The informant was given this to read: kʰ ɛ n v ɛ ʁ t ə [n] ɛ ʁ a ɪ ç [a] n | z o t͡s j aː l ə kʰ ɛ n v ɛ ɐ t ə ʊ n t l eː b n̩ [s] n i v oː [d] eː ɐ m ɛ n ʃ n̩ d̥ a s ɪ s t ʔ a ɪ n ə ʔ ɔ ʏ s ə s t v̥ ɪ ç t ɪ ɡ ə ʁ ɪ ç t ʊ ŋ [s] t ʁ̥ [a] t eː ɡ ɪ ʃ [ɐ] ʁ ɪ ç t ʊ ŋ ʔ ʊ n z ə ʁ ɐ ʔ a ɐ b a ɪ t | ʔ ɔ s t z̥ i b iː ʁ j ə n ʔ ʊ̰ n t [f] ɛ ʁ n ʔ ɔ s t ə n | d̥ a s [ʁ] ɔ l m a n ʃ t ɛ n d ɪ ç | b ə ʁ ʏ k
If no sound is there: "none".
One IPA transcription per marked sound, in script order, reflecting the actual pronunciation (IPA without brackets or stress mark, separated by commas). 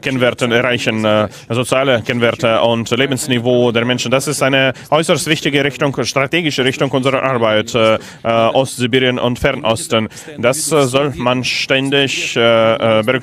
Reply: n, ə, s, d, ʃ, a, ə, f, z